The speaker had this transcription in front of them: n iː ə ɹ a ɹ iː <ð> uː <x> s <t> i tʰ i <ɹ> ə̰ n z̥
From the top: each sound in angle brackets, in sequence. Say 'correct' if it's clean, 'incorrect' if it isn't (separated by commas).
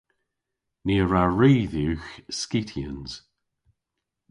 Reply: correct, correct, incorrect, incorrect